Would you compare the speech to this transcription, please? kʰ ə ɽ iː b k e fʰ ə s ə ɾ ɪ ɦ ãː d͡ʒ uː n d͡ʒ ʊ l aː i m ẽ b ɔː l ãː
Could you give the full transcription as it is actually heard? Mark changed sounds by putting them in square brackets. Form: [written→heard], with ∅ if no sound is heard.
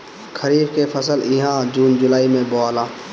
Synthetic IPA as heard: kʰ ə [ɽ→ɾ] iː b k e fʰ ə s ə [ɾ→l] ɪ ɦ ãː d͡ʒ uː n d͡ʒ ʊ l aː i m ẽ b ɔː l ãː

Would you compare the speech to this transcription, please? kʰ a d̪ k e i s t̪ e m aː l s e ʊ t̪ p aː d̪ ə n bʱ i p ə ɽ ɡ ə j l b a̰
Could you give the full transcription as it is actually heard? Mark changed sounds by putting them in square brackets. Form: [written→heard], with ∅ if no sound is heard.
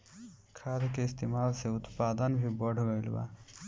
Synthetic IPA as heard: kʰ a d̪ k e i s t̪ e m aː l s e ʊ t̪ p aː d̪ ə n bʱ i [p→b] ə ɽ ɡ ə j l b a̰

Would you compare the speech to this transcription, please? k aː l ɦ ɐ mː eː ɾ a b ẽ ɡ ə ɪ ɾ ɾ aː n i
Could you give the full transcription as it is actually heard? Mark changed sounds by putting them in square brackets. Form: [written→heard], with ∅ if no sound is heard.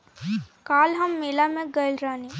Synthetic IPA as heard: k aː l ɦ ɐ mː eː [ɾ→l] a [b→m] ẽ ɡ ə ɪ [ɾ→l] ɾ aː n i

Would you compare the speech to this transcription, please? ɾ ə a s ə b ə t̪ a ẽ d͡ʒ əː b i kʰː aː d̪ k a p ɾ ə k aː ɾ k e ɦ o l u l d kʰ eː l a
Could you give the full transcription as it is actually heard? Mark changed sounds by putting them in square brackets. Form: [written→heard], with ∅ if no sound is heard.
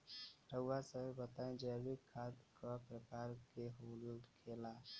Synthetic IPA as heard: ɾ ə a s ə b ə t̪ a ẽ d͡ʒ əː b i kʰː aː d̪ k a p ɾ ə k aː ɾ k e ɦ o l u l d kʰ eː l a

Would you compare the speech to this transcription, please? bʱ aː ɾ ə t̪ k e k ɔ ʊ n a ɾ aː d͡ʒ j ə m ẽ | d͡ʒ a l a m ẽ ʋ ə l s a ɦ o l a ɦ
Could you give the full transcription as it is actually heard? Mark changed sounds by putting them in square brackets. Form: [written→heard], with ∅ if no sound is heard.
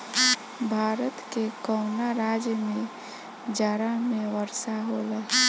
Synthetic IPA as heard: bʱ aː ɾ ə t̪ k e k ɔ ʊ n a ɾ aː d͡ʒ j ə m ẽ | d͡ʒ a [l→ɾ] a m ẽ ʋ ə [l→ɾ] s a ɦ o l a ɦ

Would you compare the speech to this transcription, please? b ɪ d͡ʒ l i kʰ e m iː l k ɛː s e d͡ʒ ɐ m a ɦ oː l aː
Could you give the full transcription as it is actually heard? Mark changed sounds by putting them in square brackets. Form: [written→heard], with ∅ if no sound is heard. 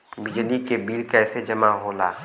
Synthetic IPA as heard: b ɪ d͡ʒ l i [kʰ→k] e [m→b] iː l k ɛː s e d͡ʒ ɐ m a ɦ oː l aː

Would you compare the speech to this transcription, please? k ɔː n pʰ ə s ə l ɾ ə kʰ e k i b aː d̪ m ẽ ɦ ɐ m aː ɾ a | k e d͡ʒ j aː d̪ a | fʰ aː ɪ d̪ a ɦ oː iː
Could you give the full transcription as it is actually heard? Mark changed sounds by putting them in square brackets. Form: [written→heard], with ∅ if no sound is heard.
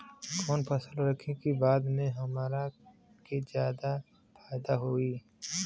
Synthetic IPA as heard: k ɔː n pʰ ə s ə l ɾ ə kʰ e k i b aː d̪ m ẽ ɦ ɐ m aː ɾ a | k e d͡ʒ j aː d̪ a | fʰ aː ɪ d̪ a ɦ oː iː

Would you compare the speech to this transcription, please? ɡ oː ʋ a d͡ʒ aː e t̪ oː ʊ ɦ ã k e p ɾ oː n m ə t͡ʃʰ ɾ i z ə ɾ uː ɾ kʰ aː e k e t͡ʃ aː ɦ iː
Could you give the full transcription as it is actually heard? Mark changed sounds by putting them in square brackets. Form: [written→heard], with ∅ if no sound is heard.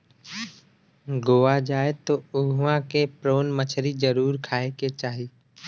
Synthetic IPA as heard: ɡ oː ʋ a d͡ʒ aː e t̪ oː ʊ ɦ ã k e p ɾ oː n m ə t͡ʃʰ ɾ i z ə ɾ uː ɾ kʰ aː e k e t͡ʃ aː ɦ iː

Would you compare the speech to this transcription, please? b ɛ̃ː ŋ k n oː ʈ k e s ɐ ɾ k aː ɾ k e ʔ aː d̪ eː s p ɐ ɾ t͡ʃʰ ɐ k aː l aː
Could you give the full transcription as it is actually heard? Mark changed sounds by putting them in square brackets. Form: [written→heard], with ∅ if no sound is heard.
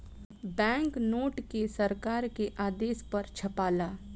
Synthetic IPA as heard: b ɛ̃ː ŋ k n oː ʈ k e s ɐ ɾ k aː ɾ k e ʔ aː d̪ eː s p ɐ ɾ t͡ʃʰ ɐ [k→p] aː l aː

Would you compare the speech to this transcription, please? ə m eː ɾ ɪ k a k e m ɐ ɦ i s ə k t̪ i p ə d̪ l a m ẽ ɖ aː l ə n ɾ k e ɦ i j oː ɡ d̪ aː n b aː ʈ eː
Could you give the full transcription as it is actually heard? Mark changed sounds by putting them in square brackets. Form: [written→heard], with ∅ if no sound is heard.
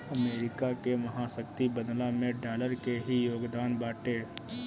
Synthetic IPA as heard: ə m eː ɾ ɪ k a k e m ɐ ɦ [i→a] s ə k t̪ i [p→b] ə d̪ l a m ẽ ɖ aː l ə [n→∅] ɾ k e ɦ i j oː ɡ d̪ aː n b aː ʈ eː

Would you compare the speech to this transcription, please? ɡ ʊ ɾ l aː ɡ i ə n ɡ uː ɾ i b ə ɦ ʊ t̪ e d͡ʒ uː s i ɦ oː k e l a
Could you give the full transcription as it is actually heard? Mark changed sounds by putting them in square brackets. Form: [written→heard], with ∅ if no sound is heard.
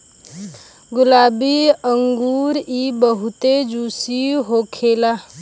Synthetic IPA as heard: ɡ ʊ [ɾ→∅] l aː [ɡ→b] i ə [n→ŋ] ɡ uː ɾ i b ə ɦ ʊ t̪ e d͡ʒ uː s i ɦ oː [k→kʰ] e l a

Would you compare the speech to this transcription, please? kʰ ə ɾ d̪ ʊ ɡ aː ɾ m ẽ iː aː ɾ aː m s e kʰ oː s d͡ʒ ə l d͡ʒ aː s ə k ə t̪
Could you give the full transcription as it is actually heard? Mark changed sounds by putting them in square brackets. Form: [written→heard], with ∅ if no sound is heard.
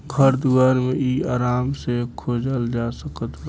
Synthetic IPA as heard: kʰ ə ɾ d̪ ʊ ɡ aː ɾ m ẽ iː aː ɾ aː m s e kʰ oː [s→∅] d͡ʒ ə l d͡ʒ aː s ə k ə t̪

